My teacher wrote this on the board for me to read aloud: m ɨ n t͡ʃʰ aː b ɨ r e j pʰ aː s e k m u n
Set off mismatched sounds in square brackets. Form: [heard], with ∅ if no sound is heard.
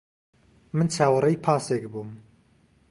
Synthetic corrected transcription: m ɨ n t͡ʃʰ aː [w] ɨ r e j pʰ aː s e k [b] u [m]